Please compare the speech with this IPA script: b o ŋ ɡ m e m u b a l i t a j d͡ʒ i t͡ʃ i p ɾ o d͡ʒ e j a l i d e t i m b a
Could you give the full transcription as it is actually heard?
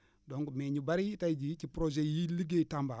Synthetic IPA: d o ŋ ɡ m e ɲ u b a ɾ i t a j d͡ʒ i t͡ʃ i p ɾ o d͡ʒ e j i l i ɡ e t a m b a